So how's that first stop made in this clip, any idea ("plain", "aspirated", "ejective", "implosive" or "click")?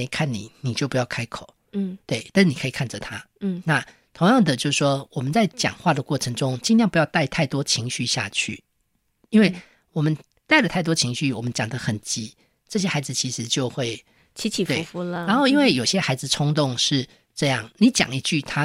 aspirated